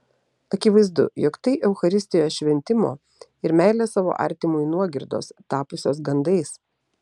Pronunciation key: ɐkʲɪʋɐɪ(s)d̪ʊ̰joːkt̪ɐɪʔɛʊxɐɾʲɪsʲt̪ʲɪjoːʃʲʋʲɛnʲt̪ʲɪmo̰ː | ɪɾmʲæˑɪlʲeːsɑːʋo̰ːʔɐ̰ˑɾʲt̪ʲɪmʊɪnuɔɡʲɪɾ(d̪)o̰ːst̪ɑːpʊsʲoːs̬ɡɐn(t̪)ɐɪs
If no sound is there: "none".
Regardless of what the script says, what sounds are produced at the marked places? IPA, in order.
z, d̪, d̪

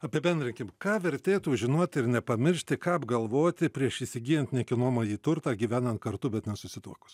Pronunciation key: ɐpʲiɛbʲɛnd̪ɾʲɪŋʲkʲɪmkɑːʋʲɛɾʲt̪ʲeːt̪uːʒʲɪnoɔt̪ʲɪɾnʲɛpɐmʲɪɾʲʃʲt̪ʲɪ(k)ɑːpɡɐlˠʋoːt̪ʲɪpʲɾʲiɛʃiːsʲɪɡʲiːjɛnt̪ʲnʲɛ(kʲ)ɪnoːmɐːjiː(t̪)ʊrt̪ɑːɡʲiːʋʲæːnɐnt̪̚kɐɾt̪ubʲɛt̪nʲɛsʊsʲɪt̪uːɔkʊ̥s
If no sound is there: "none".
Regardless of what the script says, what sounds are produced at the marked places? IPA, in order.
k, kʲ, t̪

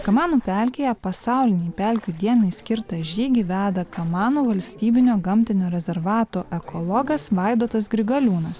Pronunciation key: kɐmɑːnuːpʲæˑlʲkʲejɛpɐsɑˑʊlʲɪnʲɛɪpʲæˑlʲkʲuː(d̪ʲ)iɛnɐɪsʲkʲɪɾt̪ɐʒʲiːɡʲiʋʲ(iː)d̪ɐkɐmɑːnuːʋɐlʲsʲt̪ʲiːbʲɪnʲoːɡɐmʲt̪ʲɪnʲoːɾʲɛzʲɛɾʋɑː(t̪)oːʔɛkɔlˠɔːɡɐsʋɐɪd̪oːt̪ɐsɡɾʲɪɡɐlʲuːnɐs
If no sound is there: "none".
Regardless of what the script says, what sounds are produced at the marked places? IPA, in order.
d̪ʲ, æː, t̪

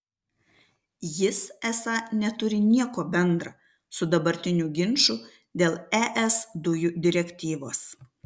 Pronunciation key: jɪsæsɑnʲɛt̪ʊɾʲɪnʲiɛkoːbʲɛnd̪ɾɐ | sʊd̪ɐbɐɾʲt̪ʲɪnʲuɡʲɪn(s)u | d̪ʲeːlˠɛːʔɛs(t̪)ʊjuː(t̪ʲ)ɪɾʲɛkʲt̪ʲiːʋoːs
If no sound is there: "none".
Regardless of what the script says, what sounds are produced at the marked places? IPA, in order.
ʃ, d̪, d̪ʲ

